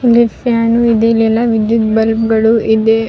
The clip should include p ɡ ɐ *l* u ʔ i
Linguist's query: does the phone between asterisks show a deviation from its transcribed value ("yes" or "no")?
yes